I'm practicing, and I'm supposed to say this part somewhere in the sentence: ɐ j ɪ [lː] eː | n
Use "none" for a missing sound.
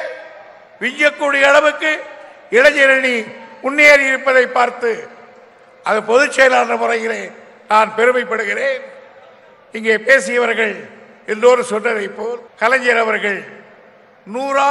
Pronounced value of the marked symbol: l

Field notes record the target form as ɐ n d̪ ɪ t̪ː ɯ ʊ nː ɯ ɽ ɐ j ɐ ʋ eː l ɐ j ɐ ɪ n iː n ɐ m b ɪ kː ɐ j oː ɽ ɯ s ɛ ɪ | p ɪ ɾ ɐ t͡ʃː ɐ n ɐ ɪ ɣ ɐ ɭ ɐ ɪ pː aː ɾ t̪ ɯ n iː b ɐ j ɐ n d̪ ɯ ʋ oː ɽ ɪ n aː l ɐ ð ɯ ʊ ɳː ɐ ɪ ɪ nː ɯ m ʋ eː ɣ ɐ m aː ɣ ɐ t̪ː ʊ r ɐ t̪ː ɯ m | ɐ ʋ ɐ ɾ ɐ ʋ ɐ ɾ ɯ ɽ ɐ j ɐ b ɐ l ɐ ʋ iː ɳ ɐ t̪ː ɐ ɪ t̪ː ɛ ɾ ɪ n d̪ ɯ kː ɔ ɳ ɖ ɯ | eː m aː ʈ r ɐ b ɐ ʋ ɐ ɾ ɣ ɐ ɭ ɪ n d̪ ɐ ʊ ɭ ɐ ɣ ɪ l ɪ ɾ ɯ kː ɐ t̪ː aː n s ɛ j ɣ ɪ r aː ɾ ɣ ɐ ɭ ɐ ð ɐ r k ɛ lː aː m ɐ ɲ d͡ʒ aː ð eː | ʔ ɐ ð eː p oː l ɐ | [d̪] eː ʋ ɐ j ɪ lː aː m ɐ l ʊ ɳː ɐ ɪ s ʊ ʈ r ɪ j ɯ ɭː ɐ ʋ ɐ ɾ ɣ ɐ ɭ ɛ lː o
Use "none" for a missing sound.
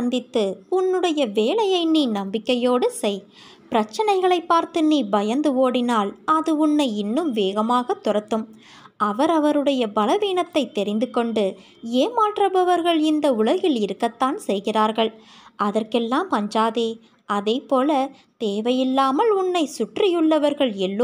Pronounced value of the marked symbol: t̪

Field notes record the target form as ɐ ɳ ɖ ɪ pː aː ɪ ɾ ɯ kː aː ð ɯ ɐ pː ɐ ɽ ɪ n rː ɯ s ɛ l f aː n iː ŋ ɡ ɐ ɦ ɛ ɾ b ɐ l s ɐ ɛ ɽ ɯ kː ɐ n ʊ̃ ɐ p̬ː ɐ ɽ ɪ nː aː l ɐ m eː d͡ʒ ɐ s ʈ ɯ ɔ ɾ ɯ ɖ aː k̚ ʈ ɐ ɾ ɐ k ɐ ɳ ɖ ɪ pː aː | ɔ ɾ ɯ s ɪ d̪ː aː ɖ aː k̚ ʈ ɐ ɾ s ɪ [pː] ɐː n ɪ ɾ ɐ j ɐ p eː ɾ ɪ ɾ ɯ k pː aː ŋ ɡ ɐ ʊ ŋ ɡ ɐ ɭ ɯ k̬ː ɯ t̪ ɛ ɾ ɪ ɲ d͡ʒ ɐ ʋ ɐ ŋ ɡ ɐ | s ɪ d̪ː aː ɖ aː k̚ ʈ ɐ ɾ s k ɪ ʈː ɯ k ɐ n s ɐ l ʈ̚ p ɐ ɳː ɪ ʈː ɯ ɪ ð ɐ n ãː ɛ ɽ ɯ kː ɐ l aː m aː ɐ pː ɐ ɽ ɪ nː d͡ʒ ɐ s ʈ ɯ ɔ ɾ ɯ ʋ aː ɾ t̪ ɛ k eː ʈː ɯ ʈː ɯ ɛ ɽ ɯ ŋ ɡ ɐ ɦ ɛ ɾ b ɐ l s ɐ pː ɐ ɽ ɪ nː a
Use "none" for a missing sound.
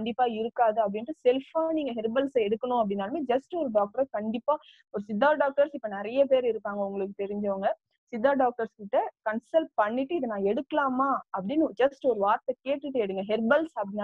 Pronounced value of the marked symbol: pː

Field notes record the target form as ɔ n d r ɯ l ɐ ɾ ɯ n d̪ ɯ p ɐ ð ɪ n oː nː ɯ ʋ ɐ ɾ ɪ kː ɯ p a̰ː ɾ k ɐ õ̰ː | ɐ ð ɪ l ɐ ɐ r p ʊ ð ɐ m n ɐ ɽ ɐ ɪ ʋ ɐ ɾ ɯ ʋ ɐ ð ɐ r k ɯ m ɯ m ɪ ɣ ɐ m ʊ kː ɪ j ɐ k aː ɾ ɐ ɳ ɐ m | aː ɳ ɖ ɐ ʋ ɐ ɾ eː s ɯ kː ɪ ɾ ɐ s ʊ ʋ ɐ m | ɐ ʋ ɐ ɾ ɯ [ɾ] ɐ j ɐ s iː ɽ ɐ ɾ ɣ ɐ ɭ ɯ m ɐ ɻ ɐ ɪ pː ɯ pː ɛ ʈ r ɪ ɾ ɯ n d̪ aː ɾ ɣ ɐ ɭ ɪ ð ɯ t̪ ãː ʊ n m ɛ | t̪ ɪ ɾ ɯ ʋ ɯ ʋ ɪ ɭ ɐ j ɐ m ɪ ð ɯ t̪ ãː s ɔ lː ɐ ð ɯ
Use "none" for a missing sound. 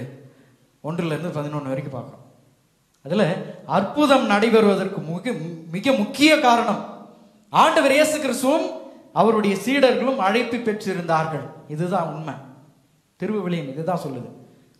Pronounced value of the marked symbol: ɽ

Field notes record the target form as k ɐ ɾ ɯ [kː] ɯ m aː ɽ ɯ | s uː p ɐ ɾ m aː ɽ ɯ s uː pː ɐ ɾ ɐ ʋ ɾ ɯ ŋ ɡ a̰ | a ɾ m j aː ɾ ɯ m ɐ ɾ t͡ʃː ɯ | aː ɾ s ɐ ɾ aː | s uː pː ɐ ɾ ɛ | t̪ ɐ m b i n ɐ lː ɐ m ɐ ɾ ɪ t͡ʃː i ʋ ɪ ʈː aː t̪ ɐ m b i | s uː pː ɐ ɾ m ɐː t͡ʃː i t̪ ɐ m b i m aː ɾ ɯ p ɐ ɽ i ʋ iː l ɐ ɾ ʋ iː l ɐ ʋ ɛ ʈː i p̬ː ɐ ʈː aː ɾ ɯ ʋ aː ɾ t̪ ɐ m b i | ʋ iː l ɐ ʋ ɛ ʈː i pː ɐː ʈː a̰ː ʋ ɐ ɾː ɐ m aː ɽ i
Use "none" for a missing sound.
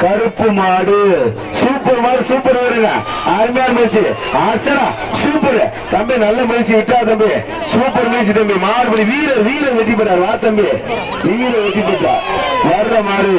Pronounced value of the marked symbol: pː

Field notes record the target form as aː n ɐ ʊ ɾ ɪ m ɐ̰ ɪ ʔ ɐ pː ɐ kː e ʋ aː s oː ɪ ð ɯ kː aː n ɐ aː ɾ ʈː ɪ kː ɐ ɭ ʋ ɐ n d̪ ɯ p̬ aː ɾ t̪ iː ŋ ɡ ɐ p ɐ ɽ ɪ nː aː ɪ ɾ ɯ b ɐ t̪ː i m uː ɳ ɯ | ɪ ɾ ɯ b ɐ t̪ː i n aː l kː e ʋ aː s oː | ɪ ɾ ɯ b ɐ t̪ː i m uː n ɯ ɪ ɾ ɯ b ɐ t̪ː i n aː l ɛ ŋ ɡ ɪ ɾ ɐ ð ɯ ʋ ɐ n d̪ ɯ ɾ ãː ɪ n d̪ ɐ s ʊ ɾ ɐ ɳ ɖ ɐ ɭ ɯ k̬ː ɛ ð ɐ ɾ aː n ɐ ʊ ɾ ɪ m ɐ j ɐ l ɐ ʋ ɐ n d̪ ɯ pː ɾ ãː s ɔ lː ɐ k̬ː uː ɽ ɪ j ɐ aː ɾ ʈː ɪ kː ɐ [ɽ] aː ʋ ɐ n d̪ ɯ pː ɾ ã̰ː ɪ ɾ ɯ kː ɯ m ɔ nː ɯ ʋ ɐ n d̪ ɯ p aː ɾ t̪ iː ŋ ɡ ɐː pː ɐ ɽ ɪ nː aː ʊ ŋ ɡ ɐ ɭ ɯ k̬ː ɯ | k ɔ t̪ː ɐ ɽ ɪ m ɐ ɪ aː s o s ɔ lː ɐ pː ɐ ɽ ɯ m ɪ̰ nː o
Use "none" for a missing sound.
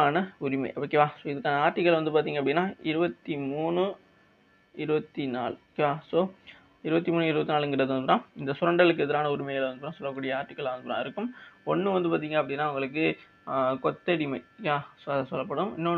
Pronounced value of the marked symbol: ɭ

